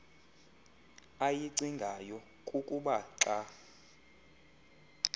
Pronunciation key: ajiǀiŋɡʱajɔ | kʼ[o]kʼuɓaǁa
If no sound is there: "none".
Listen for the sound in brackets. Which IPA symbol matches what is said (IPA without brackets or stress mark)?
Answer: u